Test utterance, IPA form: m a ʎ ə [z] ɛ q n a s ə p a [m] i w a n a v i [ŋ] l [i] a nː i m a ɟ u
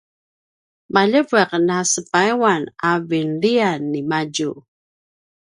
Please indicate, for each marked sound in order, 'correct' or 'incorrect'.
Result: incorrect, incorrect, incorrect, correct

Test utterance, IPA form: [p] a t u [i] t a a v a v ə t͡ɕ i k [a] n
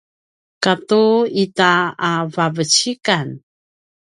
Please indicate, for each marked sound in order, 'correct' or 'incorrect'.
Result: incorrect, correct, correct

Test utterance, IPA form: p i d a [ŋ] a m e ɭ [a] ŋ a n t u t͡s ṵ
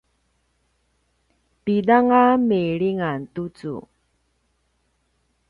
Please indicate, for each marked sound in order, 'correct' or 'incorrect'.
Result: correct, incorrect

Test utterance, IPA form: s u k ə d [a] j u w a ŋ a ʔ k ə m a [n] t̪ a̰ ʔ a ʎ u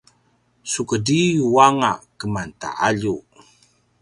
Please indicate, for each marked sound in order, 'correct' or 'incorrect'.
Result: incorrect, correct

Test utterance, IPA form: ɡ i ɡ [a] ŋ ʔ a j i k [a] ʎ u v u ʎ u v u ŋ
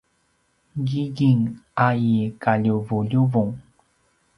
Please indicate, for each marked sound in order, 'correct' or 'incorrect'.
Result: incorrect, correct

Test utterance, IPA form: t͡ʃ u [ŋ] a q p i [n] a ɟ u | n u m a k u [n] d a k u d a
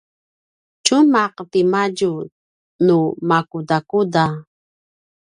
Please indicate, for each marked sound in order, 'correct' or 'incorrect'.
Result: incorrect, incorrect, incorrect

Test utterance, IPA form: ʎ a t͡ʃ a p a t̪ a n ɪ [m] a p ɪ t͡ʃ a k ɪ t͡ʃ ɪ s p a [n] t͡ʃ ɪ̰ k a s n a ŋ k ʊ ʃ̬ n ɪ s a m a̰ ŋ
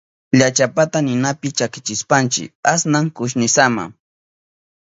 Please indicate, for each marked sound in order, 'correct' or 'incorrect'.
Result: incorrect, correct

